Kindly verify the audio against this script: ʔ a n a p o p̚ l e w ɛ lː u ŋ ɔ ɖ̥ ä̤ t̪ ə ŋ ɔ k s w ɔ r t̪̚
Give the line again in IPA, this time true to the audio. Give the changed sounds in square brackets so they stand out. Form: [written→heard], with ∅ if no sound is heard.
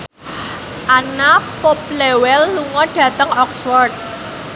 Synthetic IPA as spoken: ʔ a n a p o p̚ l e w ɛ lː u ŋ ɔ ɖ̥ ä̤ t̪ ə ŋ ɔ k s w ɔ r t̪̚